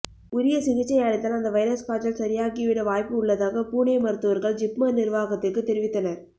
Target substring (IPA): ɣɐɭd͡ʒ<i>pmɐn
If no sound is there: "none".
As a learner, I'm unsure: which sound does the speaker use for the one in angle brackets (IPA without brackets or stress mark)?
ɪ